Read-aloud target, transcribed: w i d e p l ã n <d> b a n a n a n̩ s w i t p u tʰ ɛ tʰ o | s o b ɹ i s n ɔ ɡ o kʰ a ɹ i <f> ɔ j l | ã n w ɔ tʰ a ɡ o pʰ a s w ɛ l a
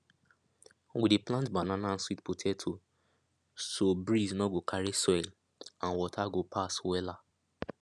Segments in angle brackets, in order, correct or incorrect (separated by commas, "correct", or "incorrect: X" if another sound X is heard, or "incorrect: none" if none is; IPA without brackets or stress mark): incorrect: t, incorrect: s